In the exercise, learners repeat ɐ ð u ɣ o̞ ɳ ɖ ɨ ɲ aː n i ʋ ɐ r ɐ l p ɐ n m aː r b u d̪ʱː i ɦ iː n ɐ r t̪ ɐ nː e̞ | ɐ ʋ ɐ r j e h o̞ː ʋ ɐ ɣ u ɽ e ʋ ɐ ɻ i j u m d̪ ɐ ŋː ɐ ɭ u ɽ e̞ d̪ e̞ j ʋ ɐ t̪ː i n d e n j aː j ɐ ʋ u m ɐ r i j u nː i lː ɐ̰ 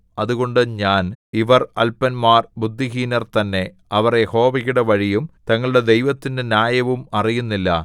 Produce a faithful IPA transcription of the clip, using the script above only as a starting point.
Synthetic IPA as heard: ɐ ð u ɣ o̞ ɳ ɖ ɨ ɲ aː n i ʋ ɐ r ɐ l p ɐ n m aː r b u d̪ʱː i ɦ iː n ɐ r t̪ ɐ nː e̞ | ɐ ʋ ɐ r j e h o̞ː ʋ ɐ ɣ u ɽ e ʋ ɐ ɻ i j u m t̪ ɐ ŋː ɐ ɭ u ɽ e̞ d̪ e̞ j ʋ ɐ t̪ː i n d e n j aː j ɐ ʋ u m ɐ r i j u nː i lː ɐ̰